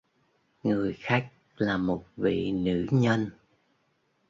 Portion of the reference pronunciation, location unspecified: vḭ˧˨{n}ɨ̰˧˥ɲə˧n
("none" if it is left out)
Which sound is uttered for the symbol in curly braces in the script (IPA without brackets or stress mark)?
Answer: n